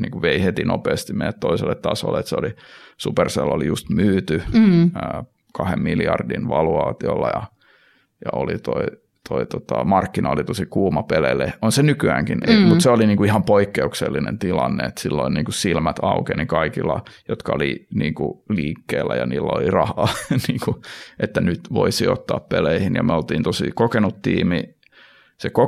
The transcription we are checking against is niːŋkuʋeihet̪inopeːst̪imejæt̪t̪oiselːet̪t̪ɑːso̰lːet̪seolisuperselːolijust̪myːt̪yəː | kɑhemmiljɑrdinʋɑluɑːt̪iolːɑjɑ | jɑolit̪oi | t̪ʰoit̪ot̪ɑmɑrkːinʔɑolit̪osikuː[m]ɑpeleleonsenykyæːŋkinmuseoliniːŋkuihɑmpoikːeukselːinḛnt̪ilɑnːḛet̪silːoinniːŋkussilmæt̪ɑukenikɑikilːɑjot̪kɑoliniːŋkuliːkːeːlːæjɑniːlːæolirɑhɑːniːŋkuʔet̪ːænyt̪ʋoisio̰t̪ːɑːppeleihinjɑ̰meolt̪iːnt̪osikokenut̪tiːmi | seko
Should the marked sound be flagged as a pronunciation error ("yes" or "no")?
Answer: no